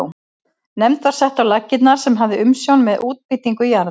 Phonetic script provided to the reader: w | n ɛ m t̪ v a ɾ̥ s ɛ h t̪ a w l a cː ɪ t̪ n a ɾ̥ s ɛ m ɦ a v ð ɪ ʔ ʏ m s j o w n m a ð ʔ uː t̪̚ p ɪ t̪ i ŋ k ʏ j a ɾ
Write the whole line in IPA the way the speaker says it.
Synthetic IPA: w | n ɛ m t̪ v a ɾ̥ s ɛ h t̪ a w l a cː ɪ t̪ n a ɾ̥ s ɛ m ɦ a v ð ɪ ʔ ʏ m s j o w n m ɛ ð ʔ uː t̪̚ p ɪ t̪ i ŋ k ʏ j a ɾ